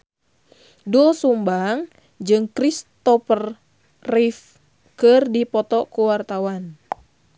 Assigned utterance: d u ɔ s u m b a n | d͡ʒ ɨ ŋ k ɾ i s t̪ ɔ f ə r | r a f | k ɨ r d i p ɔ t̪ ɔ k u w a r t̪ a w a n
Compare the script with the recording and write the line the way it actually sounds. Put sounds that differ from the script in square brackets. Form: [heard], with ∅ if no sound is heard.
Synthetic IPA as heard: d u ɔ s u m b a [ŋ] | d͡ʒ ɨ ŋ k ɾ i s t̪ ɔ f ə r | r [i] f | k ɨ r d i p ɔ t̪ ɔ k u w a r t̪ a w a n